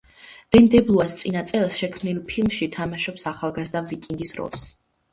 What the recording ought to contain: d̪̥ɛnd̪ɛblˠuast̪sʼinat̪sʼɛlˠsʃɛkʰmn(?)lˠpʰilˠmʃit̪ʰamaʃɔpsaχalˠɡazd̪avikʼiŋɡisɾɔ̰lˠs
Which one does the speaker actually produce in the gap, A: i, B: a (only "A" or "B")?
A